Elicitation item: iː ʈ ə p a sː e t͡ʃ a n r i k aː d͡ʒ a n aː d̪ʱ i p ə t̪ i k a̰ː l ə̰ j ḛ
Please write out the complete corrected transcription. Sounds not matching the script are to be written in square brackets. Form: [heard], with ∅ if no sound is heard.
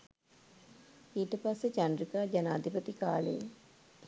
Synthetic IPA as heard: iː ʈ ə p a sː e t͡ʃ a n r i k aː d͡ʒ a n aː d̪ʱ i p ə t̪ i k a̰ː l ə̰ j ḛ